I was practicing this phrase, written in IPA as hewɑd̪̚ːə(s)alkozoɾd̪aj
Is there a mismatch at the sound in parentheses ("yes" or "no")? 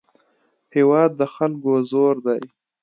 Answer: yes